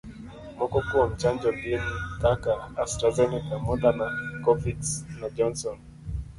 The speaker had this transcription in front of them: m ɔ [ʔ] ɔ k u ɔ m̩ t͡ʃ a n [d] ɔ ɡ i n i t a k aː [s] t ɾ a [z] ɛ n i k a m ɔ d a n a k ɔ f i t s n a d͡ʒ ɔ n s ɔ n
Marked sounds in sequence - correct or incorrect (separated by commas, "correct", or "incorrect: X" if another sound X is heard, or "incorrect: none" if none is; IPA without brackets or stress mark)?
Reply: incorrect: k, incorrect: d͡ʒ, correct, correct